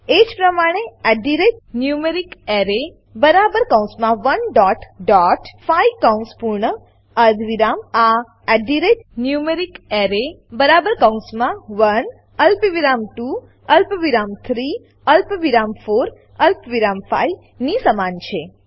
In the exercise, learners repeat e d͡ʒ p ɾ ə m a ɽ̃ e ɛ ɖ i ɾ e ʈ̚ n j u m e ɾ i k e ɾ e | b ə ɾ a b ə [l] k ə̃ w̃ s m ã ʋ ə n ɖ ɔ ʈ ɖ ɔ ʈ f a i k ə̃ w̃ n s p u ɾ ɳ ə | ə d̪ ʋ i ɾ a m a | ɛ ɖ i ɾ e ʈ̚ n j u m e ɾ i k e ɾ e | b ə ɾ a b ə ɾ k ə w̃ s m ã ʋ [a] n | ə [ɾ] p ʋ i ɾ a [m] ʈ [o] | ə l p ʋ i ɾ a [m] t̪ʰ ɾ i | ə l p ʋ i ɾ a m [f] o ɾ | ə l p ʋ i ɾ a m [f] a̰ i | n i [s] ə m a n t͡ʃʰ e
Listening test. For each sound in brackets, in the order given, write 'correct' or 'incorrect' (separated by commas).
incorrect, incorrect, incorrect, correct, incorrect, correct, correct, correct, correct